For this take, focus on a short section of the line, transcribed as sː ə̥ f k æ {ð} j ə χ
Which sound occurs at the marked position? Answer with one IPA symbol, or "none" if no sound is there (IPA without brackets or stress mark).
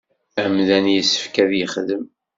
ð